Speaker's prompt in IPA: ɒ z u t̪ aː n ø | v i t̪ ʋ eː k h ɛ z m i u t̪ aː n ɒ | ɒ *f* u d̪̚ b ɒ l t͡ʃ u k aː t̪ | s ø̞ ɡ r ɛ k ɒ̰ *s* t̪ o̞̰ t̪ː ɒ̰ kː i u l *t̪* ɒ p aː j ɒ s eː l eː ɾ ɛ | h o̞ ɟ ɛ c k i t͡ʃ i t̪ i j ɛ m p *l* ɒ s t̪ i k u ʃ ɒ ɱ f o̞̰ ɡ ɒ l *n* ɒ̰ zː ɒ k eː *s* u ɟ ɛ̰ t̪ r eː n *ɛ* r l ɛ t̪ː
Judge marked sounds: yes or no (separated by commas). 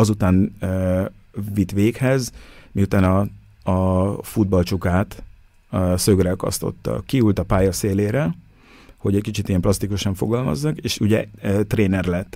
yes, yes, yes, yes, no, no, yes